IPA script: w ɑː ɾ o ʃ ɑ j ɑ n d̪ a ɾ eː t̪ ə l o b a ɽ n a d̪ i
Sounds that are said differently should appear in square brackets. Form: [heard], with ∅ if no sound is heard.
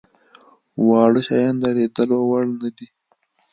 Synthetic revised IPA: w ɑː [ɽ] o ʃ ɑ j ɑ n d̪ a ɾ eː [d̪] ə l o [w] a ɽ n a d̪ i